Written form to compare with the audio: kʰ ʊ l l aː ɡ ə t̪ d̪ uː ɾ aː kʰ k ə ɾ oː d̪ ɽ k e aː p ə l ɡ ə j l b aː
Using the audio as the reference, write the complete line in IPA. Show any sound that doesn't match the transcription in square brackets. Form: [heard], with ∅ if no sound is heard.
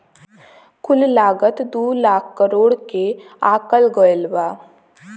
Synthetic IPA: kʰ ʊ l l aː ɡ ə t̪ d̪ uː [l] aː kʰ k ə ɾ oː [∅] ɽ k e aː [k] ə l ɡ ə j l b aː